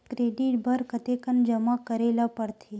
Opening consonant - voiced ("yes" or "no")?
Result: no